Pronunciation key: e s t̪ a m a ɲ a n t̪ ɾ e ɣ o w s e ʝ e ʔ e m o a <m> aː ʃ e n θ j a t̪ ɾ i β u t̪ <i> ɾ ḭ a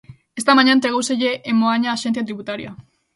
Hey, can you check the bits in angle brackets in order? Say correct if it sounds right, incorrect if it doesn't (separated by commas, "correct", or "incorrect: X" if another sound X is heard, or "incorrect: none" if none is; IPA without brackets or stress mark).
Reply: incorrect: ɲ, incorrect: a